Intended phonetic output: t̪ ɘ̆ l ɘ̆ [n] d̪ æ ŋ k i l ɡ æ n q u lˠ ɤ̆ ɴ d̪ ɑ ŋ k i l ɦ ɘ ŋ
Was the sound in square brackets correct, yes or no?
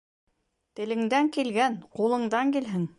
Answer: no